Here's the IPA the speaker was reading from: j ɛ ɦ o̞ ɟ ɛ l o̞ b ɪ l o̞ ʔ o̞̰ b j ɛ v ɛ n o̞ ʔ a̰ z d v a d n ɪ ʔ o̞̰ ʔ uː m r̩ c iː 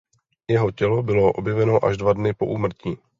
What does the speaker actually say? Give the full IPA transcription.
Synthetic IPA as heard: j ɛ ɦ o̞ c ɛ l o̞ b ɪ l o̞ ʔ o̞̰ b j ɛ v ɛ n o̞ ʔ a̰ ʒ d v a d n ɪ p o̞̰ ʔ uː m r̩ c iː